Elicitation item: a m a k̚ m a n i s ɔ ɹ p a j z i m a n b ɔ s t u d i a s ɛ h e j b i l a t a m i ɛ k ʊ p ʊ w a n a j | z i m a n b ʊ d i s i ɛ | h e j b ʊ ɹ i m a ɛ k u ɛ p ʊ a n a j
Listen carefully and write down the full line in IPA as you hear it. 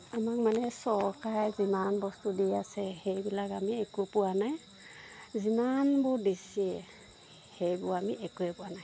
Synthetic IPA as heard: a m a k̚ m a n ɛ s ɔ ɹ k a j z i m a n b ɔ s t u d i a s ɛ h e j b i l a k a m i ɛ k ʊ p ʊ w a n a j | z i m a n b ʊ d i s i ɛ | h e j b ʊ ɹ a m i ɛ k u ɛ p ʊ a n a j